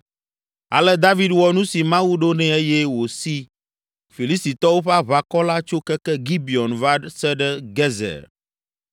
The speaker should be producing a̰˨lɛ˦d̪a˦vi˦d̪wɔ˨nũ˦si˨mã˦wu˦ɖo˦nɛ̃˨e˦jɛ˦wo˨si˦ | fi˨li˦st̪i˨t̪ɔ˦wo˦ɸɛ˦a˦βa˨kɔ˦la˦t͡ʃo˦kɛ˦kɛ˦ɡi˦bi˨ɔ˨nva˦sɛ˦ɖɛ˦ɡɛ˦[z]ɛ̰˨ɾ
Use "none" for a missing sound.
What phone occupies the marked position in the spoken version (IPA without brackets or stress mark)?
z